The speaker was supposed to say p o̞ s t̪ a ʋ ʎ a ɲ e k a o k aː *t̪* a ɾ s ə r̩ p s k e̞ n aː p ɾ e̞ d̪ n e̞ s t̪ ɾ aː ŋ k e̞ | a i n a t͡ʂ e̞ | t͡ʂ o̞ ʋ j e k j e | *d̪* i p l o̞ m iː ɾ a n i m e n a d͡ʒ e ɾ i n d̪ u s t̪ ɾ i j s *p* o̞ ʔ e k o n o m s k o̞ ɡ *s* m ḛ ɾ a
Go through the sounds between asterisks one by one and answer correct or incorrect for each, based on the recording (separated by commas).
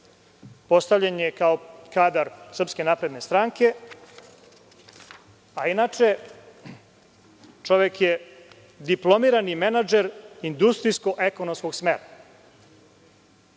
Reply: incorrect, correct, incorrect, correct